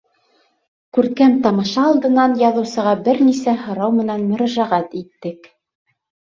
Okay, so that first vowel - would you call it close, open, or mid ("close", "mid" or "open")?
close